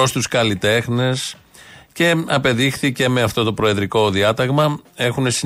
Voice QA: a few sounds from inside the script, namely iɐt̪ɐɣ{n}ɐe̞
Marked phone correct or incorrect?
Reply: incorrect